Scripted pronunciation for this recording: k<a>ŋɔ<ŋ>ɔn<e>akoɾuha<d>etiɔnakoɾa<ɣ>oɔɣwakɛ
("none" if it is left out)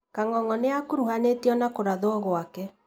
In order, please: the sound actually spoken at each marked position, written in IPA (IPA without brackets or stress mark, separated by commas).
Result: a, ŋ, e, n, ð